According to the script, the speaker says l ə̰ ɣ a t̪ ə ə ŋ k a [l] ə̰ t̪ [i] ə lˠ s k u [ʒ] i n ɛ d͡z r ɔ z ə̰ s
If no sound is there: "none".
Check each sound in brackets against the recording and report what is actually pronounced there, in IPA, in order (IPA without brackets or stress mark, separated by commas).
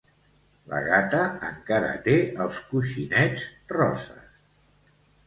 ɾ, e, ʃ